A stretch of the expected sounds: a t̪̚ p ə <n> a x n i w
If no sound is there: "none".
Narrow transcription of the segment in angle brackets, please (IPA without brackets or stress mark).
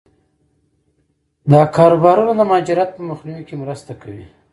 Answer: m